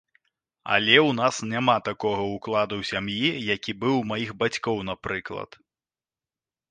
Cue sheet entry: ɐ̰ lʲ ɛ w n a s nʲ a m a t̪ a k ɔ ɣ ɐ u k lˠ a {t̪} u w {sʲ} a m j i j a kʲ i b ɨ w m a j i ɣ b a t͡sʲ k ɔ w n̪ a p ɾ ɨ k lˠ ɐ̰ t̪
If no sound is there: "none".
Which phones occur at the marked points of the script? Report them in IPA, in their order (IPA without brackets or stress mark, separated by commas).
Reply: d̪, sʲ